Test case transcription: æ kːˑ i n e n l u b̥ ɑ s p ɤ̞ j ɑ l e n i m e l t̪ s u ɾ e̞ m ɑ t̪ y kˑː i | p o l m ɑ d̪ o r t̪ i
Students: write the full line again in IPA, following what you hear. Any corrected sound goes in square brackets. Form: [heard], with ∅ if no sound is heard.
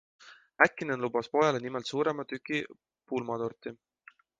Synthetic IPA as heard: æ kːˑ i n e n l u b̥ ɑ s p [o̞] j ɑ l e n i m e l t̪ s [uː] ɾ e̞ m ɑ t̪ y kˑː i | p [u] l m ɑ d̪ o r t̪ i